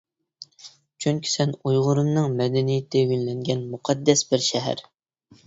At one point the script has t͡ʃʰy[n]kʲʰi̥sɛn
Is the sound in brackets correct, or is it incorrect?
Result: incorrect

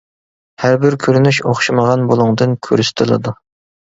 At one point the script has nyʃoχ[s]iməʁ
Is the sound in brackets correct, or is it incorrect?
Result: incorrect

